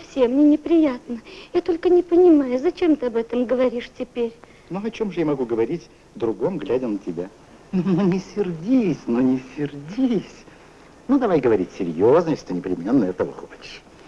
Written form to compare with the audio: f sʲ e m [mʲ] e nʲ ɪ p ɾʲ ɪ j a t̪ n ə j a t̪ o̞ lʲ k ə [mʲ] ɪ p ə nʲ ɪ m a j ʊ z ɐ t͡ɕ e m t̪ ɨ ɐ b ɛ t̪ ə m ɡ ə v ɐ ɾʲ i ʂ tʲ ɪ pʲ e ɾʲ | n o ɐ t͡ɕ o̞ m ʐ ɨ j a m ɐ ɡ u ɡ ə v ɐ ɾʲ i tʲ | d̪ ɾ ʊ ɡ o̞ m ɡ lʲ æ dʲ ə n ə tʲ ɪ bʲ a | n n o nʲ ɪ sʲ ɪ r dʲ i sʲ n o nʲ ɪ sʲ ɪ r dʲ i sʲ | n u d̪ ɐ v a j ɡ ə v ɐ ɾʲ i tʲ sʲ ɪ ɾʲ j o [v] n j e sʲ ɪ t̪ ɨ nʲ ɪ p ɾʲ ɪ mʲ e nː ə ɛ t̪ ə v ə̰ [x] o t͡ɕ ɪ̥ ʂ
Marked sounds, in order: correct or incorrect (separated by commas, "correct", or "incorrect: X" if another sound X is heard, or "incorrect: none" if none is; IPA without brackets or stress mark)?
incorrect: nʲ, incorrect: nʲ, incorrect: z, correct